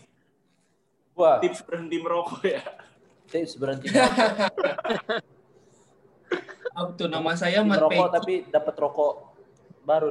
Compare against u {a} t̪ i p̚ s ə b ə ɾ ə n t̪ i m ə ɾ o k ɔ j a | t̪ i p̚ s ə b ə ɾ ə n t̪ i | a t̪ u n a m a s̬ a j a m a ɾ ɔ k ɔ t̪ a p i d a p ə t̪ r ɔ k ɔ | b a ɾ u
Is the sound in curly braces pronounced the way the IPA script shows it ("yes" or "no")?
yes